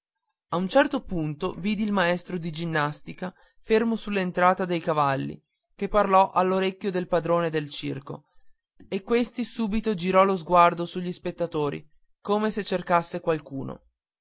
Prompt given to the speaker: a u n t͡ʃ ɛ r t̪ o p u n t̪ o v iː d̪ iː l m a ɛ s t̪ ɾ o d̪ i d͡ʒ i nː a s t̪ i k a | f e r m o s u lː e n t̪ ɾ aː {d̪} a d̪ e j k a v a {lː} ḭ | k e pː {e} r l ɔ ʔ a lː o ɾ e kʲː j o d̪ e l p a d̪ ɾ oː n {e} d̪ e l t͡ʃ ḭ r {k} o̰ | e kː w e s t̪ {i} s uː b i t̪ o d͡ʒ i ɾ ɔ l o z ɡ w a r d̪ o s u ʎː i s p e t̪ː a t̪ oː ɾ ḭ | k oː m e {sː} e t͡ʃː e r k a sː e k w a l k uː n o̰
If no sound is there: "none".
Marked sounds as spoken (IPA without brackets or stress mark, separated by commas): t̪, lː, a, e, k, i, s